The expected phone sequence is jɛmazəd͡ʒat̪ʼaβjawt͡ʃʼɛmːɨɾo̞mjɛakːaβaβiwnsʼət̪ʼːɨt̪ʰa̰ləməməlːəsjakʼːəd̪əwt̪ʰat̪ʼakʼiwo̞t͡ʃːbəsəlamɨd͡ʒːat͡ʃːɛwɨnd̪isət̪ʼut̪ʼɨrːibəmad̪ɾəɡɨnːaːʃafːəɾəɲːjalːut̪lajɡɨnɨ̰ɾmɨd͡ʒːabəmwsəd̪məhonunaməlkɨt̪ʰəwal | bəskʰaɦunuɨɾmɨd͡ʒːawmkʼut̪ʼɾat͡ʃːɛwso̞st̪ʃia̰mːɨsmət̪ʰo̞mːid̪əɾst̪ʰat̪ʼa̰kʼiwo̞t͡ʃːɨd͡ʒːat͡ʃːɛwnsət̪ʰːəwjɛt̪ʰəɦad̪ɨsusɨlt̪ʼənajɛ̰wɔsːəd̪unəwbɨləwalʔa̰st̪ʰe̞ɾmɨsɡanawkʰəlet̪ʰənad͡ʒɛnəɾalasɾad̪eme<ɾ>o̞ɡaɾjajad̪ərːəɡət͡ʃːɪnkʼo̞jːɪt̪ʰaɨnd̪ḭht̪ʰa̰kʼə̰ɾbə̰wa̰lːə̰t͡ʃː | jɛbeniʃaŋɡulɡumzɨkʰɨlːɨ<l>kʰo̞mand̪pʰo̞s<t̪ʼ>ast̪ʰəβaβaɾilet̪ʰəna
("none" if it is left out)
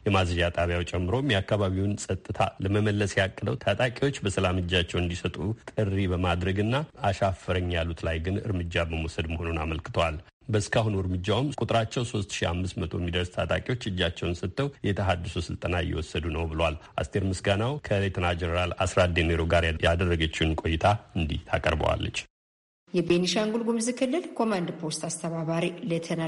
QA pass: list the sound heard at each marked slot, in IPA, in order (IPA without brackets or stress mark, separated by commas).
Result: ɾ, l, t̪